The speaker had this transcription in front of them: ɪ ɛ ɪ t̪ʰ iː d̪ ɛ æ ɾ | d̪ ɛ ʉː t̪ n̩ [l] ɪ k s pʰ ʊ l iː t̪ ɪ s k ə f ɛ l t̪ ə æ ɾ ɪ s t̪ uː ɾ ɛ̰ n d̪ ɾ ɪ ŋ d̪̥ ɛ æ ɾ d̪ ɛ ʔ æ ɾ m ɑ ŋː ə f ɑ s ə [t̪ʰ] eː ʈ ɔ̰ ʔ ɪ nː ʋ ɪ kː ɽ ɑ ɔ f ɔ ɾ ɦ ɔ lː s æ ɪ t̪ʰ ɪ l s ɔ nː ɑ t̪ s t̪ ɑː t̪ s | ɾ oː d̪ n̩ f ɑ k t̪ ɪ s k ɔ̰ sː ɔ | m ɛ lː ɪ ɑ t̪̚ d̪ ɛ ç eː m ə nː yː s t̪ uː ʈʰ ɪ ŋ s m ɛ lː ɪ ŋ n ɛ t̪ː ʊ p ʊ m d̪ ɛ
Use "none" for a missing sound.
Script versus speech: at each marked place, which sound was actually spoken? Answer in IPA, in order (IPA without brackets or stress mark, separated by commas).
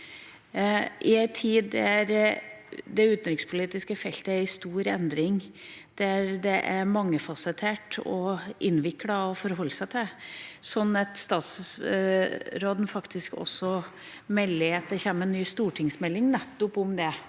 ɾ, t̪ʰ